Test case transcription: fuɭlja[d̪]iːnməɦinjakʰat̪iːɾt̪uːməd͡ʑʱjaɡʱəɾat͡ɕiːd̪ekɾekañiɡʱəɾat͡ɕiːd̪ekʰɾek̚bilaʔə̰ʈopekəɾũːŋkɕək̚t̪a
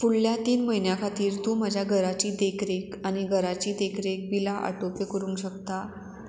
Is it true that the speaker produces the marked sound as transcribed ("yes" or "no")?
no